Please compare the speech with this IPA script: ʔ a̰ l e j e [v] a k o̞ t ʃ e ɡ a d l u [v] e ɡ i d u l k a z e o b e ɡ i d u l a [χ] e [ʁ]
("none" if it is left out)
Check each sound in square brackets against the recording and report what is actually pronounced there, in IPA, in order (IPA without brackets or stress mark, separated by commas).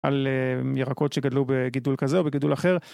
ʁ, b, χ, ʁ